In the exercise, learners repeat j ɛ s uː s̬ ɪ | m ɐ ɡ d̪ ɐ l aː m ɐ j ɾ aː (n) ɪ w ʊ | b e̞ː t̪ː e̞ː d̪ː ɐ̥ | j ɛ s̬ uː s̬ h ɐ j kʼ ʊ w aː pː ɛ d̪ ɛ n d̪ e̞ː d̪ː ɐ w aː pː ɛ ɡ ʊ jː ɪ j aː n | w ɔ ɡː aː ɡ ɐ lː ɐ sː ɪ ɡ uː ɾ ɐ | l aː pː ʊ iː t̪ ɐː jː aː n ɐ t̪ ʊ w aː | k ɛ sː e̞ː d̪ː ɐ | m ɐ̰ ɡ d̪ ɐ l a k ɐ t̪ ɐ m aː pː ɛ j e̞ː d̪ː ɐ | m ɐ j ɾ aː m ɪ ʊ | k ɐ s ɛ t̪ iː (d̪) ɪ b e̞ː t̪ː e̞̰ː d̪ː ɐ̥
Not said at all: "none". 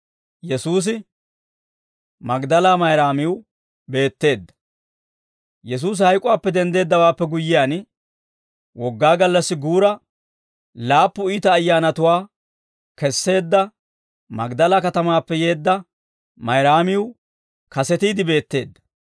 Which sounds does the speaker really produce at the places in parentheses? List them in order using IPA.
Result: m, d̪

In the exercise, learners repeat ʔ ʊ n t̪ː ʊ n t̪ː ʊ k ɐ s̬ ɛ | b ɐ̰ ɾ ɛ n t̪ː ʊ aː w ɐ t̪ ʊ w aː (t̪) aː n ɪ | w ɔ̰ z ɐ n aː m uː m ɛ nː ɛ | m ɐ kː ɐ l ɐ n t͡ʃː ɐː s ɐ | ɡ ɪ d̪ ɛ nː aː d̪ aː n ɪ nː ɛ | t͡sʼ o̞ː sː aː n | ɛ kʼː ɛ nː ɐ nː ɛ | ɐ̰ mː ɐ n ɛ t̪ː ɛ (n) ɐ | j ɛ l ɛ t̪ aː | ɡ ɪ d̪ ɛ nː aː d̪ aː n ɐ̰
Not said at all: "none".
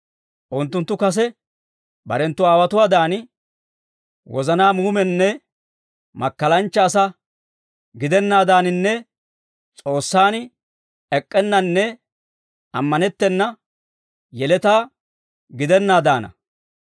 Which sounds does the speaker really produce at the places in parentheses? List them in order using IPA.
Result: d̪, nː

